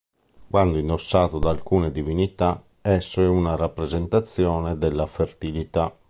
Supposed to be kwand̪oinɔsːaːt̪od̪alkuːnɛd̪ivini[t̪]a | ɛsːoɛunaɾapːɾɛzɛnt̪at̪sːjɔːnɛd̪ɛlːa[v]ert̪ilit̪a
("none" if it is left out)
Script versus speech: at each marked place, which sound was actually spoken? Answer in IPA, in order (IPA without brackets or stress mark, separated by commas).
t̪, f